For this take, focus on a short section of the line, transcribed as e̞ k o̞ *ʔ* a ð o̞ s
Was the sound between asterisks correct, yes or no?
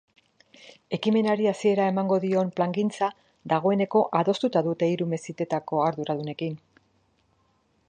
yes